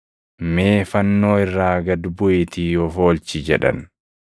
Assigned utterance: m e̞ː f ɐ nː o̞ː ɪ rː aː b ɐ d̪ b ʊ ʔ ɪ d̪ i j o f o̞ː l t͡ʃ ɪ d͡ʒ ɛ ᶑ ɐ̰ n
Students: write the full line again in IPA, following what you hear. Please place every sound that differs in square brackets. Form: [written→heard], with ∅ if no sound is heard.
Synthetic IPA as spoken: m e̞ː f ɐ nː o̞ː ɪ rː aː [b→ɡ] ɐ d̪ b ʊ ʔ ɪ [d̪→t̪] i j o f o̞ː l t͡ʃ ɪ d͡ʒ ɛ ᶑ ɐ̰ n